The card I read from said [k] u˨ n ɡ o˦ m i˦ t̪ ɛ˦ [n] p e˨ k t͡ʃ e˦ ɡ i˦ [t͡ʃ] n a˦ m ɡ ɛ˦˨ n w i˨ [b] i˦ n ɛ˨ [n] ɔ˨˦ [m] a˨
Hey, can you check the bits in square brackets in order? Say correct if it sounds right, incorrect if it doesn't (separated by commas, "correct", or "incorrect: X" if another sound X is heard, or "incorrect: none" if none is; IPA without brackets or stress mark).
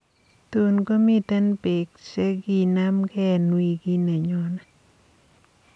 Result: incorrect: t, correct, incorrect: none, incorrect: ɡ, incorrect: ɲ, incorrect: n